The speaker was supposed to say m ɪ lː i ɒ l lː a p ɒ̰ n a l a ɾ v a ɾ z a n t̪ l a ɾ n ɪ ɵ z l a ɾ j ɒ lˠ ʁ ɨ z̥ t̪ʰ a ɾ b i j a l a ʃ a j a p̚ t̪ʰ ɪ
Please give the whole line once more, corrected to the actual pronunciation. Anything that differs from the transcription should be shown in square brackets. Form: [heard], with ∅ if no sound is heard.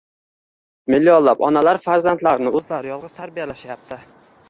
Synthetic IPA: m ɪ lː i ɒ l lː a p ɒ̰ n a l a ɾ [f] a ɾ z a n t̪ l a ɾ n ɪ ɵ z l a ɾ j ɒ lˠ ʁ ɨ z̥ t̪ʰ a ɾ b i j a l a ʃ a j a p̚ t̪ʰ ɪ